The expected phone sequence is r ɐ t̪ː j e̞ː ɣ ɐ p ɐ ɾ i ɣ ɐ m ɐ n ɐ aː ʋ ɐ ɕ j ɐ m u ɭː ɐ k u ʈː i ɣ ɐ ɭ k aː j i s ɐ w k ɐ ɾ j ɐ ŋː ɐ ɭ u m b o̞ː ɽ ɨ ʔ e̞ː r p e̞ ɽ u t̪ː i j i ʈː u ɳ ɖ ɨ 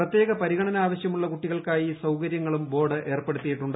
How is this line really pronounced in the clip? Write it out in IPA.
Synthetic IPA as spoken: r ɐ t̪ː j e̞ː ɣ ɐ p ɐ ɾ i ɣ ɐ ɳ ɐ n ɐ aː ʋ ɐ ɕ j ɐ m u ɭː ɐ k u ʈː i ɣ ɐ ɭ k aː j i s ɐ w k ɐ ɾ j ɐ ŋː ɐ ɭ u m b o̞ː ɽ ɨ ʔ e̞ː r p e̞ ɽ u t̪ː i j i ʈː u ɳ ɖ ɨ